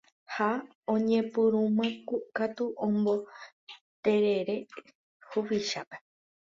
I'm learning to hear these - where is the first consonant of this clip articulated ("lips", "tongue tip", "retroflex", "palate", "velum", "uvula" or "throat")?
throat